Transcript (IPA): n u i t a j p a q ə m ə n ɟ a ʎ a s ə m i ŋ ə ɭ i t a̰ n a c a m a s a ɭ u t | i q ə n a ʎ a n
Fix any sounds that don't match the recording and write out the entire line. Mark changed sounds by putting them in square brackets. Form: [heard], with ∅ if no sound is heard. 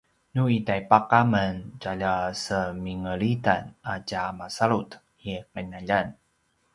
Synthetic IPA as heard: n u i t a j p a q [a] m ə n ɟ a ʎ a s ə m i ŋ ə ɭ i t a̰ n a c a m a s a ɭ u t | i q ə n a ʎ a n